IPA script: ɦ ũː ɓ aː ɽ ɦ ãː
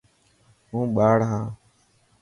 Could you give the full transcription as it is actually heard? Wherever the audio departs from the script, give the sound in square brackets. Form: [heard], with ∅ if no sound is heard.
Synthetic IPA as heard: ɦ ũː ɓ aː ɽ ɦ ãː